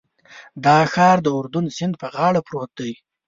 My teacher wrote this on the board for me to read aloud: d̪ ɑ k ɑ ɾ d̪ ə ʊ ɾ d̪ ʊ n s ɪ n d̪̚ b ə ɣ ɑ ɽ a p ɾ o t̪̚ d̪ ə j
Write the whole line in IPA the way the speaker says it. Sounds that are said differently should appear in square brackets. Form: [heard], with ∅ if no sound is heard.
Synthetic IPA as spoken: d̪ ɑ [x] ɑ ɾ d̪ ə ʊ ɾ d̪ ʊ n s ɪ n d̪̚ [p] ə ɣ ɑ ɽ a p ɾ o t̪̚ d̪ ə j